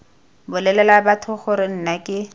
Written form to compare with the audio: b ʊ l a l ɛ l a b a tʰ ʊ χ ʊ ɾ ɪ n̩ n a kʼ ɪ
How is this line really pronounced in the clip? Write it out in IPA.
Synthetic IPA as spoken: b ʊ l ɛ l ɛ l a b a tʰ ʊ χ ʊ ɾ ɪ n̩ n a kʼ ɪ